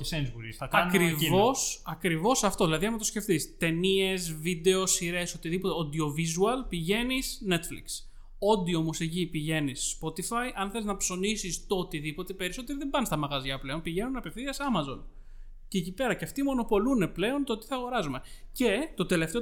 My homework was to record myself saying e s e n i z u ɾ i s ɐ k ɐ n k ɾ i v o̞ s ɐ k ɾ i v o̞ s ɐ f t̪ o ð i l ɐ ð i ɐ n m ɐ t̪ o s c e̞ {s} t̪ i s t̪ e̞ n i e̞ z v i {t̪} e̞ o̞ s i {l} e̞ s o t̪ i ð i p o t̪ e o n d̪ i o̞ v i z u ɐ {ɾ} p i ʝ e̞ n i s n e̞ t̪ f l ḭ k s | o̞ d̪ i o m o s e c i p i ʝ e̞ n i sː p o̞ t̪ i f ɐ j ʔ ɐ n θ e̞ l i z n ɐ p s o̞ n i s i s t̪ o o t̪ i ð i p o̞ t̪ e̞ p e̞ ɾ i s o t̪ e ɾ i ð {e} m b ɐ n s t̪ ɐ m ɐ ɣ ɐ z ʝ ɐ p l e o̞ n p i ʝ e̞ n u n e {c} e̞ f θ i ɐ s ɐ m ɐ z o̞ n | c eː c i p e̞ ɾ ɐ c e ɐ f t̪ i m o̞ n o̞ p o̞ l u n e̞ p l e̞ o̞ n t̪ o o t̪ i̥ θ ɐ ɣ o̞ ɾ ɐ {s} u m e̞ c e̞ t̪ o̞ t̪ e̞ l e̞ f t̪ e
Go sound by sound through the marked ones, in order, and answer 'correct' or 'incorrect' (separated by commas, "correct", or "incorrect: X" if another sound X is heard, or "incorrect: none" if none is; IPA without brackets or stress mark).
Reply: incorrect: f, incorrect: d̪, incorrect: ɾ, incorrect: l, correct, incorrect: p, incorrect: z